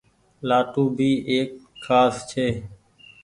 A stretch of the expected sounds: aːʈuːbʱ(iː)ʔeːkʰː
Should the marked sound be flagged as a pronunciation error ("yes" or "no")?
no